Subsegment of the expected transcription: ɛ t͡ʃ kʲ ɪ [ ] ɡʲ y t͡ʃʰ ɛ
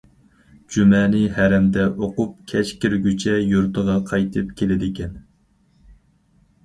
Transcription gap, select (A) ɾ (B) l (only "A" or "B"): A